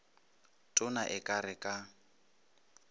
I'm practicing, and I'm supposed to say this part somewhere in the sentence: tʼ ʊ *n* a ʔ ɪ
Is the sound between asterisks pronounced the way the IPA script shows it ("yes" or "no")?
yes